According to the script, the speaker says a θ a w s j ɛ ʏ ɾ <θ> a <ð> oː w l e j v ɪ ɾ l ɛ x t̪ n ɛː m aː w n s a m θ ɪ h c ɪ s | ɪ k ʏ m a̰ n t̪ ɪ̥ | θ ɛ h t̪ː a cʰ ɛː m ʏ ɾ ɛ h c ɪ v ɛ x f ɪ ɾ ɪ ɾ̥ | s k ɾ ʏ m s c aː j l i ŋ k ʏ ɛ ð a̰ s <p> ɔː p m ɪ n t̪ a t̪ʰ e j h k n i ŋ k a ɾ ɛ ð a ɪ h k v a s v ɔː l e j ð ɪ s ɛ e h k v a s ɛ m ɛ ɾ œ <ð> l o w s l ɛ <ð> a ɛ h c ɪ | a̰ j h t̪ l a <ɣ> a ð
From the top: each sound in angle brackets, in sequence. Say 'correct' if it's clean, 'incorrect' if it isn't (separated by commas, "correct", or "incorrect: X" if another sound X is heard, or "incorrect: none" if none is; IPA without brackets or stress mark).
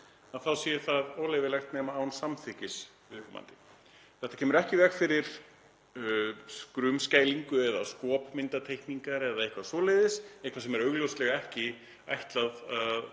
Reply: correct, correct, incorrect: k, incorrect: ɣ, incorrect: ɣ, incorrect: ð